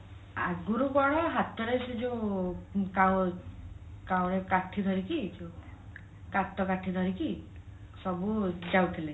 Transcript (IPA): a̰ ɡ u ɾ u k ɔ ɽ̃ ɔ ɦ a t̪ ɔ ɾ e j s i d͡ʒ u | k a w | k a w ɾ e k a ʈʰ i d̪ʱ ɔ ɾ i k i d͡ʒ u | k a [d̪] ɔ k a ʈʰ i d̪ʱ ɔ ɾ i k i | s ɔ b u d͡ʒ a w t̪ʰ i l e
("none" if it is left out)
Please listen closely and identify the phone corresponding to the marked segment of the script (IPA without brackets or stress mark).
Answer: t̪